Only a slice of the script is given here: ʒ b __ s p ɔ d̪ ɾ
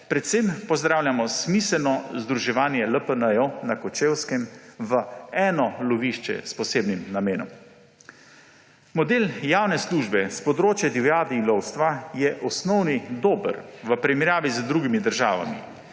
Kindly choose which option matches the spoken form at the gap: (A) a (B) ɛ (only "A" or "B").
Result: B